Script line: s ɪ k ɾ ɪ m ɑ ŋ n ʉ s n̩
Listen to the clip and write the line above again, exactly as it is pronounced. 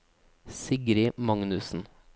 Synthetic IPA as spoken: s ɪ ɡ ɾ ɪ m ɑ ŋ n ʉ s n̩